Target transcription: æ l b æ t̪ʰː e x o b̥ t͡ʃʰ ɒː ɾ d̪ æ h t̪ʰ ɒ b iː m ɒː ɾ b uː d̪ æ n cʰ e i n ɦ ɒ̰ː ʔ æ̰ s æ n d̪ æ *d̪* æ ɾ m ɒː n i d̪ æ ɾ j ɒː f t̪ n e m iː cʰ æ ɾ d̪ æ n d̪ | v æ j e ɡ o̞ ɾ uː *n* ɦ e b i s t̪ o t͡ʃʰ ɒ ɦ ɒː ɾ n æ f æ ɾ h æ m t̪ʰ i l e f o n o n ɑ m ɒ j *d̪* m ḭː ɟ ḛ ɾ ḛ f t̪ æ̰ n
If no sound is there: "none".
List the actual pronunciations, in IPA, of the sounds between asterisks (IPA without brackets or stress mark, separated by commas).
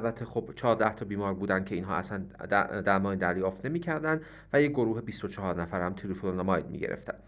d̪, none, d̪